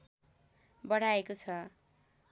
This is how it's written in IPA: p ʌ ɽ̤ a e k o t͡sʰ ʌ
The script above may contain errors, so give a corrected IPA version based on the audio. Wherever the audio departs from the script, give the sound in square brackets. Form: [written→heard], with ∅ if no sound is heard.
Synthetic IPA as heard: [p→b] ʌ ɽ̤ a e k o t͡sʰ ʌ